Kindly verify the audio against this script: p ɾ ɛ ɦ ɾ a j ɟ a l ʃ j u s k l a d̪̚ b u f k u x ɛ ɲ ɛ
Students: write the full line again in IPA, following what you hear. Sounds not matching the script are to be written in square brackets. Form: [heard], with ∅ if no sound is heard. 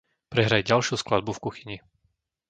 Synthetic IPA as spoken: p ɾ ɛ ɦ ɾ a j ɟ a l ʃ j u s k l a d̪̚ b u f k u x [i] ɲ [i]

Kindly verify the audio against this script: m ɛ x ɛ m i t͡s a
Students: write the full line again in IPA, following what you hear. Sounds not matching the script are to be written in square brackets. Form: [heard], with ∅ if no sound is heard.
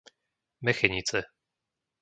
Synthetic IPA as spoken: m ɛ x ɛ [ɲ] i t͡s [ɛ]

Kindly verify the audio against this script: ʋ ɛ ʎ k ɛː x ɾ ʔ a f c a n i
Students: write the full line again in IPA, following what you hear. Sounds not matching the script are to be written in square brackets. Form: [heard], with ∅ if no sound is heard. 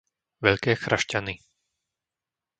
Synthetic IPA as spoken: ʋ ɛ ʎ k ɛː x ɾ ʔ a [ʃ] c a n i

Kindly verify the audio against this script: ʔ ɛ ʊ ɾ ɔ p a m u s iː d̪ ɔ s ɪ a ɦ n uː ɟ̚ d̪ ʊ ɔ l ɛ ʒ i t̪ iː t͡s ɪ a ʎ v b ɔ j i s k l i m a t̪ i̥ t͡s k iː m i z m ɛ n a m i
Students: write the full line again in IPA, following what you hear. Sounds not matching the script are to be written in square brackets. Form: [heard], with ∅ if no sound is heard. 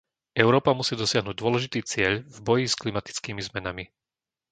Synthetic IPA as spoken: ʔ ɛ ʊ ɾ [ɔː] p a m u s iː d̪ ɔ s ɪ a ɦ n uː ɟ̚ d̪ ʊ ɔ l ɛ ʒ i t̪ iː t͡s ɪ [ɛ] ʎ v b ɔ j i s k l i m a t̪ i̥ t͡s k iː m i z m ɛ n a m i

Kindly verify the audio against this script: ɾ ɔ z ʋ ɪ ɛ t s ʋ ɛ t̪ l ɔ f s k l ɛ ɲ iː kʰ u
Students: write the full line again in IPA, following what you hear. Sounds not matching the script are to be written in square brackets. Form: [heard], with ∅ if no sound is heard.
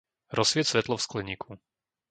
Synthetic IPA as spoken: ɾ ɔ [s] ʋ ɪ ɛ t s ʋ ɛ t̪ l ɔ f s k l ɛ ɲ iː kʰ u

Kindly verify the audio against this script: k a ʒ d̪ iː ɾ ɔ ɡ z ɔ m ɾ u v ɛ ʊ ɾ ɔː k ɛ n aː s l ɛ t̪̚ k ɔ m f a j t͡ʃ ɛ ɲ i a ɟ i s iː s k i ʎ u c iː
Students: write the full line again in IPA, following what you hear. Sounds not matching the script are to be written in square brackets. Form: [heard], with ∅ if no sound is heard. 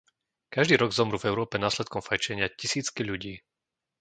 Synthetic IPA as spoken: k a ʒ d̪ iː ɾ ɔ ɡ z ɔ m ɾ u v ɛ ʊ ɾ ɔː [p] ɛ n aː s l ɛ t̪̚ k ɔ m f a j t͡ʃ ɛ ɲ [ɪ] a [c] i s iː [t͡s] k i ʎ u [ɟ] iː

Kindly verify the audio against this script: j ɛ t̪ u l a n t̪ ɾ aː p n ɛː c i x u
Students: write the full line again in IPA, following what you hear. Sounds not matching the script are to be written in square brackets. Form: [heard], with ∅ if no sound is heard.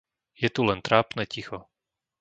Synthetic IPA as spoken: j ɛ t̪ u l [ɛ] n t̪ ɾ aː p n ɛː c i x [ɔ]

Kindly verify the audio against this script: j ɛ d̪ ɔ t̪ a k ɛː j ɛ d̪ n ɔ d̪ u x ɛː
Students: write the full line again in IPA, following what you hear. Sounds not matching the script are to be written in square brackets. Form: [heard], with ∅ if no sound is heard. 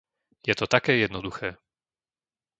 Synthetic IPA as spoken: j ɛ [t̪] ɔ t̪ a k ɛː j ɛ d̪ n ɔ d̪ u x ɛː

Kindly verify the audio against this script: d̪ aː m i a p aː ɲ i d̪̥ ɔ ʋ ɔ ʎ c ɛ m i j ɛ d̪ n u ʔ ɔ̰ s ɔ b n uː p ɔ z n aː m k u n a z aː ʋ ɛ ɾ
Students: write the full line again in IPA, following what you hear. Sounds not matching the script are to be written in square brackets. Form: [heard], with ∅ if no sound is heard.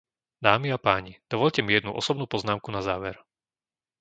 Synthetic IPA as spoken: d̪ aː m i a p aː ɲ i d̪̥ ɔ ʋ ɔ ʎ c ɛ m i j ɛ d̪ n u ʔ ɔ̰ s ɔ b n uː p ɔ z n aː m k u n a z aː ʋ ɛ ɾ

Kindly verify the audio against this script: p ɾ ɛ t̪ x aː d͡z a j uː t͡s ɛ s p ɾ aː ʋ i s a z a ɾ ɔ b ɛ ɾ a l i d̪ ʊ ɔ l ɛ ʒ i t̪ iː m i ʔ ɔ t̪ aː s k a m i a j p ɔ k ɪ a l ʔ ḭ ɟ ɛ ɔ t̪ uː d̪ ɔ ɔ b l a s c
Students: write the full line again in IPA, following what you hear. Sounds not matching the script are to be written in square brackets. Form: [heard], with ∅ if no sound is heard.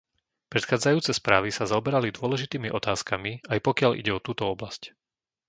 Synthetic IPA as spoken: p ɾ ɛ t̪ x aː d͡z a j uː t͡s ɛ s p ɾ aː ʋ i s a z a [∅] ɔ b ɛ ɾ a l i d̪ ʊ ɔ l ɛ ʒ i t̪ iː m i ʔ ɔ t̪ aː s k a m i a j p ɔ k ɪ a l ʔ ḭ ɟ ɛ ɔ t̪ uː [t̪] ɔ ɔ b l a s c

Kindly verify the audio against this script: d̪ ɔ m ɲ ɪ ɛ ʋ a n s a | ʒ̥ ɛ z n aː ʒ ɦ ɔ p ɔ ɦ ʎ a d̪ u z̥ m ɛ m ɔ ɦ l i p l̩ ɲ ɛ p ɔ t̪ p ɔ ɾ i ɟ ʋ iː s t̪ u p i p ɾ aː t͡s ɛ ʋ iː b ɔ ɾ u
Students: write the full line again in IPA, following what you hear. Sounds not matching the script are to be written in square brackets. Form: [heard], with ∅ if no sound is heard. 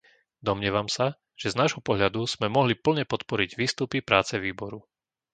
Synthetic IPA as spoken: d̪ ɔ m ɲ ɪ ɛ ʋ a [m] s a | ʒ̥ ɛ z n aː ʒ ɦ ɔ p ɔ ɦ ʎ a d̪ u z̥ m ɛ m ɔ ɦ l i p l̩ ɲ ɛ p ɔ t̪ p ɔ ɾ i ɟ ʋ iː s t̪ u p i p ɾ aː t͡s ɛ ʋ iː b ɔ ɾ u

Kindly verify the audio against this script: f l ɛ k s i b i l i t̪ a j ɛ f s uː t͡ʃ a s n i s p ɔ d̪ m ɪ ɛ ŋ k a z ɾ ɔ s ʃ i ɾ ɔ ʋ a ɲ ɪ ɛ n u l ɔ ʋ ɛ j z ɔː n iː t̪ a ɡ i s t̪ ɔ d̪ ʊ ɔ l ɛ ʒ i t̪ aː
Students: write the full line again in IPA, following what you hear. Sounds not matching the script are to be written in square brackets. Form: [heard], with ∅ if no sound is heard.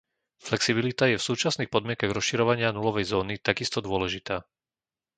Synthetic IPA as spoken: f l ɛ k s i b i l i t̪ a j ɛ f s uː t͡ʃ a s n i [x] p ɔ d̪ m ɪ ɛ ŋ k a [ɣ] ɾ ɔ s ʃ i ɾ ɔ ʋ a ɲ ɪ [a] n u l ɔ ʋ ɛ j z ɔː n [i] t̪ a ɡ i s t̪ ɔ d̪ ʊ ɔ l ɛ ʒ i t̪ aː

